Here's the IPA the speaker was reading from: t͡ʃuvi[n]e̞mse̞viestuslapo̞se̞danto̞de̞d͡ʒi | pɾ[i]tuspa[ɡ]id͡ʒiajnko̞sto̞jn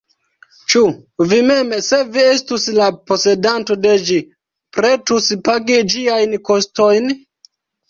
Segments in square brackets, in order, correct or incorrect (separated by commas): incorrect, incorrect, correct